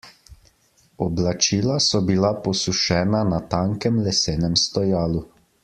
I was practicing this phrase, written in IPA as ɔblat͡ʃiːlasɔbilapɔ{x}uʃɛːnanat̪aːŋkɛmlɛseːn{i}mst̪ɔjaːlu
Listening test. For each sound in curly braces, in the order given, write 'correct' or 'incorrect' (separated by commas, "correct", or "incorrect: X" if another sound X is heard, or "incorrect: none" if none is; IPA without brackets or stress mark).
incorrect: s, incorrect: ɛ